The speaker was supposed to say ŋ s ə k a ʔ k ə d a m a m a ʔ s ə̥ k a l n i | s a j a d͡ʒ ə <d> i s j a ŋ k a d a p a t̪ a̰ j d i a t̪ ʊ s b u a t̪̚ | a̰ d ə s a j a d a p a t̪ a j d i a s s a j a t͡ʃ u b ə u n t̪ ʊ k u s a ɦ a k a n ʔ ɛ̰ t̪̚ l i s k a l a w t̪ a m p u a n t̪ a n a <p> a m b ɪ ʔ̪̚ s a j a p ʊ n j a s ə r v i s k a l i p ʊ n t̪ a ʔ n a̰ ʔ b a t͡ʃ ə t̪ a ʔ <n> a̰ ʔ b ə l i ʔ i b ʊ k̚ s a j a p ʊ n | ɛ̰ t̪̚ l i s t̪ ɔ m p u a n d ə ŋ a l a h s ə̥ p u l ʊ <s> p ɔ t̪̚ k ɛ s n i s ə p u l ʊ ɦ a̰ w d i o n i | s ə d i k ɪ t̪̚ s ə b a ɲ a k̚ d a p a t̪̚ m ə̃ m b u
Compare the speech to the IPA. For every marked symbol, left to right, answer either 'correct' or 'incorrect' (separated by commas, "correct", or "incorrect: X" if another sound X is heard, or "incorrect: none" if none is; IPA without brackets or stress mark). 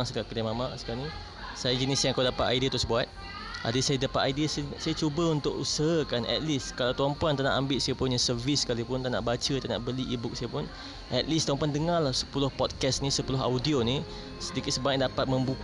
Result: incorrect: n, incorrect: ʔ, correct, incorrect: h